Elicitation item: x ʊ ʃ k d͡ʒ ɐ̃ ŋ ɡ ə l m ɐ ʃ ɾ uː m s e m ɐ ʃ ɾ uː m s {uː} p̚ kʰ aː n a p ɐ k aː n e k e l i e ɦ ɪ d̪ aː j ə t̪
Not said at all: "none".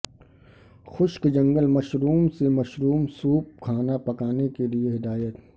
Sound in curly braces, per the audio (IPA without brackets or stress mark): uː